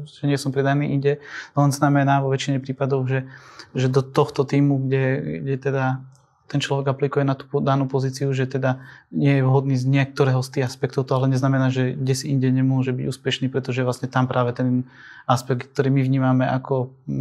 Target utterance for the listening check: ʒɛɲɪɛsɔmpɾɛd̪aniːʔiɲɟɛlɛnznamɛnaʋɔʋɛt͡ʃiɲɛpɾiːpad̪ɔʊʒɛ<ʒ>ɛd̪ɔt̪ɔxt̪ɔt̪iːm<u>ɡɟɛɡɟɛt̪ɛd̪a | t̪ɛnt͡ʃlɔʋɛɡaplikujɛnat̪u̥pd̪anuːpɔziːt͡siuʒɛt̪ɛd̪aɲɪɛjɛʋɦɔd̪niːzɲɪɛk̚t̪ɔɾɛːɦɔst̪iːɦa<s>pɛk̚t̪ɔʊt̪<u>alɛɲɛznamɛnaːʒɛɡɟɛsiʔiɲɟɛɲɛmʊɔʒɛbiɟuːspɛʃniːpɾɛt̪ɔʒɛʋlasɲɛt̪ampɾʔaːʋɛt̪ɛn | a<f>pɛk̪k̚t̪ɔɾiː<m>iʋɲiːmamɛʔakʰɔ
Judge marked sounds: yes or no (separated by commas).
yes, yes, yes, no, no, yes